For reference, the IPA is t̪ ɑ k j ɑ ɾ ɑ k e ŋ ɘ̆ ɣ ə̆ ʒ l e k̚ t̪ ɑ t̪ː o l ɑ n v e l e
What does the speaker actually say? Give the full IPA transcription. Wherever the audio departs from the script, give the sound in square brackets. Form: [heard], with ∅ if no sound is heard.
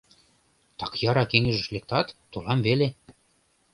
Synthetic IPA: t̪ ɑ k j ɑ ɾ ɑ k e ŋ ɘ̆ [ʒ] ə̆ [ʃ] l e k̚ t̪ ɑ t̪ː o l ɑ [m] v e l e